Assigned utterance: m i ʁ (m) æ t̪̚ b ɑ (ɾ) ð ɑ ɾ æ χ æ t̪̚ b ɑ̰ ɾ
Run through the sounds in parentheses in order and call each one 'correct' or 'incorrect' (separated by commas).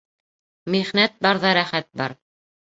incorrect, correct